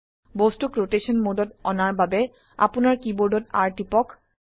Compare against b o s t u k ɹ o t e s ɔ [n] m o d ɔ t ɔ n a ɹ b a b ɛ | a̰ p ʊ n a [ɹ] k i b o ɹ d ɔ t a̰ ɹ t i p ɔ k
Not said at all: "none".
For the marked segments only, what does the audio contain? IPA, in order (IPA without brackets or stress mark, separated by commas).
n, ɹ